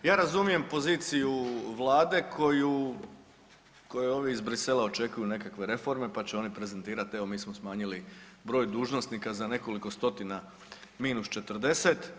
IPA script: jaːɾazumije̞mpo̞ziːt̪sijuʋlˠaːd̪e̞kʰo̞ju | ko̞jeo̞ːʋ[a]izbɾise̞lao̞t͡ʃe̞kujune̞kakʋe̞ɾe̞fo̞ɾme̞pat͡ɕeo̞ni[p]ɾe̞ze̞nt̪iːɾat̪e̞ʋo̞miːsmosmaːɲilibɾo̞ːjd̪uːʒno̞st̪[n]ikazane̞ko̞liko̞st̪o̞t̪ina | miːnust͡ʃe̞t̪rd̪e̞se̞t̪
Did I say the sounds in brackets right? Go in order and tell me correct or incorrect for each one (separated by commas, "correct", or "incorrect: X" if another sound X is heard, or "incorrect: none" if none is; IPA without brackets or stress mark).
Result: incorrect: i, correct, correct